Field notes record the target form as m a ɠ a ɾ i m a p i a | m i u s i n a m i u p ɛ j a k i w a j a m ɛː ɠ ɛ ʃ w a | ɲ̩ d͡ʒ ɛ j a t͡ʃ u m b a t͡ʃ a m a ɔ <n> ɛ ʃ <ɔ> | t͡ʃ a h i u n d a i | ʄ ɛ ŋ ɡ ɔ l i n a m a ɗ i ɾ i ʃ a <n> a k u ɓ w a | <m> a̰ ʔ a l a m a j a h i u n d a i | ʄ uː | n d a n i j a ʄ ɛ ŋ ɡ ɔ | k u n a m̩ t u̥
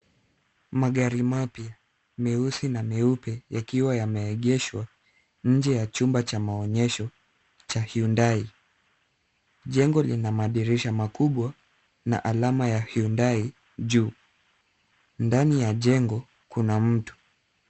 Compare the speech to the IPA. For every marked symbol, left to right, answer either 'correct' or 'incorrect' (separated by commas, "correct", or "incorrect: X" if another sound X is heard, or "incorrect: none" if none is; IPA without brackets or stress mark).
incorrect: ɲ, correct, incorrect: m, incorrect: n